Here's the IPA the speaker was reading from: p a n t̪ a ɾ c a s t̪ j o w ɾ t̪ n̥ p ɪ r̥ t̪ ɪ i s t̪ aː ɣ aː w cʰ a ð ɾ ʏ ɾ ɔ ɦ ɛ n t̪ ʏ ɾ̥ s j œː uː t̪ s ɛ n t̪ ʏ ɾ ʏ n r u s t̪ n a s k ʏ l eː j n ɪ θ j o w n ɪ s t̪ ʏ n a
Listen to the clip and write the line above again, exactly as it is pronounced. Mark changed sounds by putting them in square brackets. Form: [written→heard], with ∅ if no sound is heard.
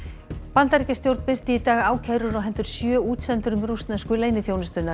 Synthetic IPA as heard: p a n t̪ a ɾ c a s t̪ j o w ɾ t̪ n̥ p ɪ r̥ t̪ ɪ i [s→∅] t̪ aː ɣ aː w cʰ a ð ɾ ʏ ɾ ɔ ɦ ɛ n t̪ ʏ ɾ̥ s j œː uː t̪ s ɛ n t̪ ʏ ɾ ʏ [n→m] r u s t̪ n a s k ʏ l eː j n ɪ θ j o w n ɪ s t̪ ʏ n a